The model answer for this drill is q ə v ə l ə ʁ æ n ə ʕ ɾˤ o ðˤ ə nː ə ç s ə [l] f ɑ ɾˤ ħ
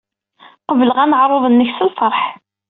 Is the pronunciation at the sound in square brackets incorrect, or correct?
correct